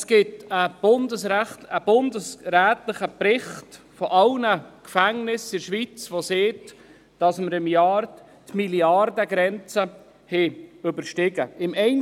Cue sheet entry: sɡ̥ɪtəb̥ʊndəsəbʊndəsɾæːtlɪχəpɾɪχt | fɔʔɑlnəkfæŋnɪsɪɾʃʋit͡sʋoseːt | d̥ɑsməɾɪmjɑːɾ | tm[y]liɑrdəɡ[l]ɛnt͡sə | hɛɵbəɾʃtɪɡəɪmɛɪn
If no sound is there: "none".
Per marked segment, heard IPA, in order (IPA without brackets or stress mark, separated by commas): i, ɾ